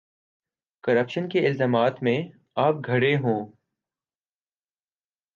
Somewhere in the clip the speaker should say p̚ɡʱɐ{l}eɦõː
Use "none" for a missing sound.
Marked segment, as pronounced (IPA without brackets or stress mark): ɽ